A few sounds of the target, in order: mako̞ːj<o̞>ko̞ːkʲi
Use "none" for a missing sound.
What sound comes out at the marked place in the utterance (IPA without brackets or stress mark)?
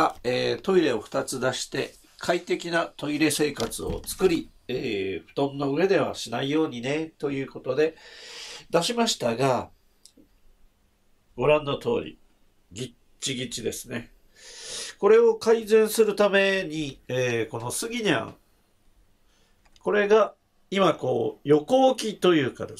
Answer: o̞